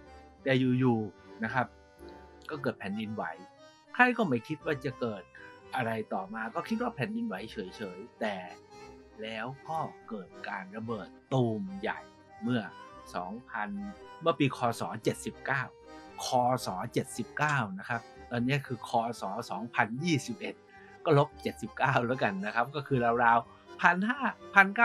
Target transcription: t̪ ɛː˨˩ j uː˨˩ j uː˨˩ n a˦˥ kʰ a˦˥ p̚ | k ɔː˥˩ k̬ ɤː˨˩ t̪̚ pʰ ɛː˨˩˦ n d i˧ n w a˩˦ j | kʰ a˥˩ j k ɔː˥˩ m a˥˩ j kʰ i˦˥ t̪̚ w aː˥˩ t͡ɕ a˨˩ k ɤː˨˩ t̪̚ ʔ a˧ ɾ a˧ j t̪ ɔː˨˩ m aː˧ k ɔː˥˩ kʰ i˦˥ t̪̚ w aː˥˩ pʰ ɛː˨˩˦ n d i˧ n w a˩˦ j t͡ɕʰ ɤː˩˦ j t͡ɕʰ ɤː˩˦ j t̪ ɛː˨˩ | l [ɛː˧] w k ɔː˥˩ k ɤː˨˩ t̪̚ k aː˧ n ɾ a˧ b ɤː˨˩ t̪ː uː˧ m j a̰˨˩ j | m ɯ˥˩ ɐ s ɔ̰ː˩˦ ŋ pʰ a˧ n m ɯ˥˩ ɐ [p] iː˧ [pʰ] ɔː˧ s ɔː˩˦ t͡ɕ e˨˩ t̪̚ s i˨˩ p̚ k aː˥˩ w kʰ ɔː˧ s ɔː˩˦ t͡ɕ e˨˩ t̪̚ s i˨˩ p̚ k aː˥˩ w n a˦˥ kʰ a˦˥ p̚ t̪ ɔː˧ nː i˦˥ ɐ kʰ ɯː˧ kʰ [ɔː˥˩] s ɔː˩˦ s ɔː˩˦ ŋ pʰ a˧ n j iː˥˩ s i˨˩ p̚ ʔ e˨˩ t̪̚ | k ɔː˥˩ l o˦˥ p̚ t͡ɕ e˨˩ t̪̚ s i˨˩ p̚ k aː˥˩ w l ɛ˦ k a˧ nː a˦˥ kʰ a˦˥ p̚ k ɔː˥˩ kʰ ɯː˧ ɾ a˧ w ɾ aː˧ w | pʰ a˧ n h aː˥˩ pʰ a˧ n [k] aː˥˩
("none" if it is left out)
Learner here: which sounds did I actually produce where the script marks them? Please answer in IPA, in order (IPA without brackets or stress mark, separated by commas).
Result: ɛː˦˥, p, kʰ, ɔː˧, k